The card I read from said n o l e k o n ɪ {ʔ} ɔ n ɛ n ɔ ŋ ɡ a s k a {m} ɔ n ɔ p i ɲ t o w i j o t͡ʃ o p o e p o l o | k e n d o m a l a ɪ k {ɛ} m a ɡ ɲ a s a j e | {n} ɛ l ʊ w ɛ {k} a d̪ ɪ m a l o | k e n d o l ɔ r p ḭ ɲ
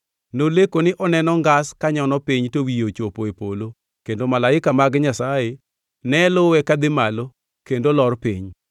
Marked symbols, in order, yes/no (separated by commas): yes, no, no, yes, yes